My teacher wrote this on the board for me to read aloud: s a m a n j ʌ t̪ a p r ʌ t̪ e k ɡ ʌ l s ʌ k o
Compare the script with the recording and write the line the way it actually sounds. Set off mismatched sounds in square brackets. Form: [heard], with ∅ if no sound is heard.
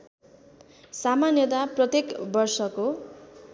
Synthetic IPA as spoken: s a m a n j ʌ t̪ a p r ʌ t̪ e k [b] ʌ [r] s ʌ k o